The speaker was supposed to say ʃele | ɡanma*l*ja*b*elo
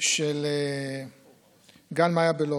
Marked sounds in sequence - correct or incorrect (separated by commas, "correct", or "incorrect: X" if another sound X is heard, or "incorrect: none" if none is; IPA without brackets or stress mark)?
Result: incorrect: none, correct